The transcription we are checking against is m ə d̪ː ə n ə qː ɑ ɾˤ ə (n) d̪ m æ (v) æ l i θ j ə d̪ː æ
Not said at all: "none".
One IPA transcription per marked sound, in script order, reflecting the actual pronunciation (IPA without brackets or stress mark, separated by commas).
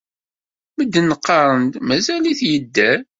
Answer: n, z